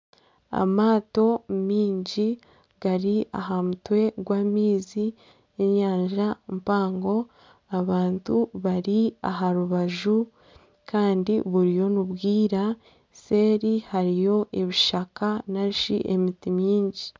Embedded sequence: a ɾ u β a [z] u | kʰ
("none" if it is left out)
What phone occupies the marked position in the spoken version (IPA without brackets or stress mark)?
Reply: ʒ